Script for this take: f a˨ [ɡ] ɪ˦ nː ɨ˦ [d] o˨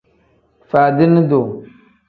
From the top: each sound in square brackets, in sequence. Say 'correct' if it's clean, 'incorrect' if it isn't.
incorrect, correct

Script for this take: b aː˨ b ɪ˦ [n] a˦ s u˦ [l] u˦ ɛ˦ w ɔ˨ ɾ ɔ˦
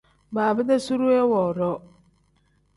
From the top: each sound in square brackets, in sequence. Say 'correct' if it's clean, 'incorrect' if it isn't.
incorrect, incorrect

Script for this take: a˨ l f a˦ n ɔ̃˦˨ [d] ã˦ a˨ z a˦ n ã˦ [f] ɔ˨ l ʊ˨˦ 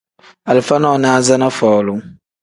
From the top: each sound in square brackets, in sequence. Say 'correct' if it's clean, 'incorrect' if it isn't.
incorrect, correct

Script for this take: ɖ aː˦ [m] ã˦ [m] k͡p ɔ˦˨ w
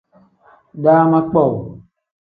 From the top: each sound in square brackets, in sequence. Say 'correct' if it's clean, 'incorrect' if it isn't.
correct, incorrect

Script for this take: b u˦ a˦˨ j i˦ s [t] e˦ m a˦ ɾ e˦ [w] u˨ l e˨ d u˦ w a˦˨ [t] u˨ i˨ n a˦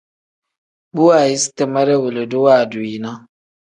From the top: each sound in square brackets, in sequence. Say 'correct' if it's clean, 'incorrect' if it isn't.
correct, correct, incorrect

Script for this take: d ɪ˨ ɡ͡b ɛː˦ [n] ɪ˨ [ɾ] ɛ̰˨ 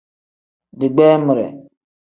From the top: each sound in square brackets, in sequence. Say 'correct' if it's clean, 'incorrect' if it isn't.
incorrect, correct

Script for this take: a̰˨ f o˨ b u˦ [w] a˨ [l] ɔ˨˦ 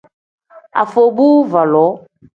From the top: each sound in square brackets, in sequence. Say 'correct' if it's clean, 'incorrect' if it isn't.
incorrect, correct

